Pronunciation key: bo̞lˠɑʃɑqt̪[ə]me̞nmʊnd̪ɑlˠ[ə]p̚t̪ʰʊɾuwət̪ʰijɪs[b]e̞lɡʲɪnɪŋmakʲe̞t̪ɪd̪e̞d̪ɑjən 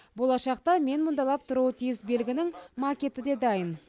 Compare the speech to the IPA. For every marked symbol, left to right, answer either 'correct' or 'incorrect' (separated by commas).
incorrect, incorrect, correct